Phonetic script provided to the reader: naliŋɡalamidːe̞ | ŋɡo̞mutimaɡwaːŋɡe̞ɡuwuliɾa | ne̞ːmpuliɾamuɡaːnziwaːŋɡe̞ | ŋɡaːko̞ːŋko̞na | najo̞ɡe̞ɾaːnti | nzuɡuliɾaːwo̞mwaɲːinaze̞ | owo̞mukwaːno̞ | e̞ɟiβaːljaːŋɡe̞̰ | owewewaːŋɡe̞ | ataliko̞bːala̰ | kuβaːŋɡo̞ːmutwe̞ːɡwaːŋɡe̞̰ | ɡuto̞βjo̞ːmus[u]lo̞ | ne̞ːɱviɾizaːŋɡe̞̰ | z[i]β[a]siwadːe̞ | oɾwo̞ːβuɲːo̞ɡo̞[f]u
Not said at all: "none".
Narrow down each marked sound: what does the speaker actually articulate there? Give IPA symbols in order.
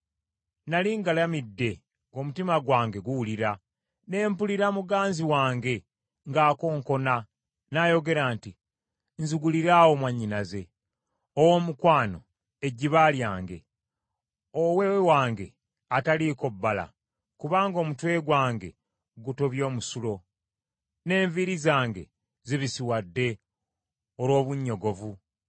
u, i, i, v

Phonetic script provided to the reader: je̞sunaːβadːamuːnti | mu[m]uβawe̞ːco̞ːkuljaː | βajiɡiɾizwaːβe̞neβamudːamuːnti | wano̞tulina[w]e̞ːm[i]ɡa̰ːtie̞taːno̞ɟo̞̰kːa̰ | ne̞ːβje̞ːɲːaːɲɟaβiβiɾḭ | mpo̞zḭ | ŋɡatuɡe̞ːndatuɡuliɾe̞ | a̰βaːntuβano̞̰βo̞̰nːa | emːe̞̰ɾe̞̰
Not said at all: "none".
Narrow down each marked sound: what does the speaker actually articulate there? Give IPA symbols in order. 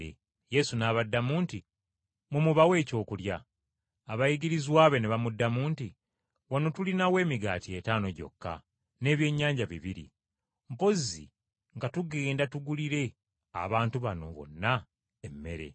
m, w, i

